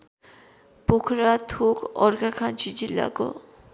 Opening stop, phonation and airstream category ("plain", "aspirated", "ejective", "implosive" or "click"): plain